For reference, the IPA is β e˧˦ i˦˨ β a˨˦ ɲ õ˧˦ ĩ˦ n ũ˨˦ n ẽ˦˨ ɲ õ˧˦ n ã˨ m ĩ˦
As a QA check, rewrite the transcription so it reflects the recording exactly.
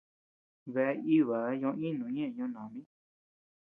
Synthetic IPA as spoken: β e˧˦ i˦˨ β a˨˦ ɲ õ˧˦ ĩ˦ n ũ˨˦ ɲ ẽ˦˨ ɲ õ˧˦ n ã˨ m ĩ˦